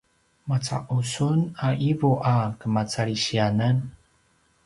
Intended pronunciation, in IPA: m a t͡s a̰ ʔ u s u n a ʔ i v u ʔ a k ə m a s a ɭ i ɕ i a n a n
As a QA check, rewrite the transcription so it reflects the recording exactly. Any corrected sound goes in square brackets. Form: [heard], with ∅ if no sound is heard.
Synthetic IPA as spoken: m a t͡s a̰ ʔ u s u n a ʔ i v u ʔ a k ə m a [t͡s] a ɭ i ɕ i a n a n